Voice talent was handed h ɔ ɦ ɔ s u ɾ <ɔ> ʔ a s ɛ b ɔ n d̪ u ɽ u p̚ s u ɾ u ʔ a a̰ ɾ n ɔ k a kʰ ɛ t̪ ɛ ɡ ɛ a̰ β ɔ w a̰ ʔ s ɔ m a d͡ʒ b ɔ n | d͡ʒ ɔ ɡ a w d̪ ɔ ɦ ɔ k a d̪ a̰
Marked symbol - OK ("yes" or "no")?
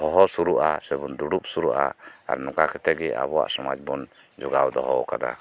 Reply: no